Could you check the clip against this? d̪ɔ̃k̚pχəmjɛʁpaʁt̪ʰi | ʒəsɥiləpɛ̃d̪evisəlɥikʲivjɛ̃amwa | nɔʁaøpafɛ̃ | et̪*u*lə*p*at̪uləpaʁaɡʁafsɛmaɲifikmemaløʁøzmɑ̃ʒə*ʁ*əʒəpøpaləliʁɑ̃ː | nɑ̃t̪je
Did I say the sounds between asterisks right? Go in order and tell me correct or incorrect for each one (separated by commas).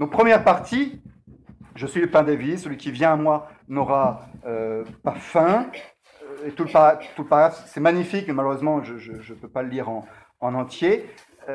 correct, correct, incorrect